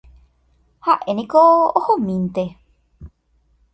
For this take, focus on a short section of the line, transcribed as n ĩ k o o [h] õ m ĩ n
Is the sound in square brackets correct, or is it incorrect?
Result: correct